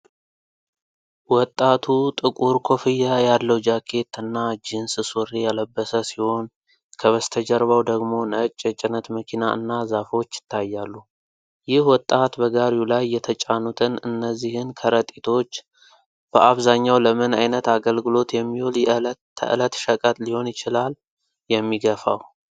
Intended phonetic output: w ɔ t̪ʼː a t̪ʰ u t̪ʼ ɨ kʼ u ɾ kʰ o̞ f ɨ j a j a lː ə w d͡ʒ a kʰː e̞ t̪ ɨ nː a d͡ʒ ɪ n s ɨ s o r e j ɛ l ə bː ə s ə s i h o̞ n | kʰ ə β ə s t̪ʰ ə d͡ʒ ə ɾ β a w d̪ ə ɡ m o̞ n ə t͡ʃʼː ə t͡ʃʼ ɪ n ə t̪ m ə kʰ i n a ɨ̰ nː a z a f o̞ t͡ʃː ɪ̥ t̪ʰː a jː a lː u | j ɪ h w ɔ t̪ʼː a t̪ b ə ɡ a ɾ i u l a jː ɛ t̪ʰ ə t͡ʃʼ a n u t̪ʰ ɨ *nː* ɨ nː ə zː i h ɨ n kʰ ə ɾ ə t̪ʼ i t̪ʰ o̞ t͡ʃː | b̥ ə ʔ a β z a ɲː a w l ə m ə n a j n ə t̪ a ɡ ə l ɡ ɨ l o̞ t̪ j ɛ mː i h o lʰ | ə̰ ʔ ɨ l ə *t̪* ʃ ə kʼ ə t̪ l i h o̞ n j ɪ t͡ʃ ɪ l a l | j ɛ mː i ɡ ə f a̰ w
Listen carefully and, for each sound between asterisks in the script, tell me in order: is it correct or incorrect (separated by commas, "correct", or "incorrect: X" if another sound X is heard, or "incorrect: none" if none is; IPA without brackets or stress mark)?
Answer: incorrect: n, correct